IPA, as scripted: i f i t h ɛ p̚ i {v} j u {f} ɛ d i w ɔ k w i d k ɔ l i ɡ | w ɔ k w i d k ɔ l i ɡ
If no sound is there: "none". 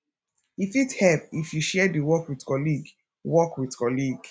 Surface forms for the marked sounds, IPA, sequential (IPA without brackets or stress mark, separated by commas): f, ʃ